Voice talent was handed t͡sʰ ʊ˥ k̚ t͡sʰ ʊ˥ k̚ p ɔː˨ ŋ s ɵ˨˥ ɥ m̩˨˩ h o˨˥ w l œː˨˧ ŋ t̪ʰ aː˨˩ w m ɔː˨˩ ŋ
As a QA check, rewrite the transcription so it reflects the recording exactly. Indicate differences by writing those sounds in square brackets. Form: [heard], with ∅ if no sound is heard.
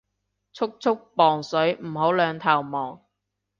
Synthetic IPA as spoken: t͡sʰ ʊ˥ k̚ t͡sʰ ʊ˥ k̚ p ɔː˨ ŋ s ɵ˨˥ ɥ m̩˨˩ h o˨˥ w l œː˨˧ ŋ t̪ʰ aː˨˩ w m ɔː˨˩ ŋ